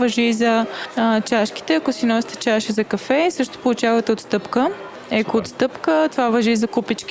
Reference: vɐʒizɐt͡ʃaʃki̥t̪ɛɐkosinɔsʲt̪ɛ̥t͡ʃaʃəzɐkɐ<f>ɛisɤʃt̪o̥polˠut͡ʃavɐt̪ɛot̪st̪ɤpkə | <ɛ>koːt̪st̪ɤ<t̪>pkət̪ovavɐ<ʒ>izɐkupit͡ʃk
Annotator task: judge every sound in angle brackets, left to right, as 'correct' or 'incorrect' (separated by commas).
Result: correct, correct, incorrect, correct